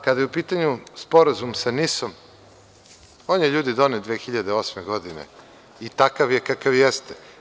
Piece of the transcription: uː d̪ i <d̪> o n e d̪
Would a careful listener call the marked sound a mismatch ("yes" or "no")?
no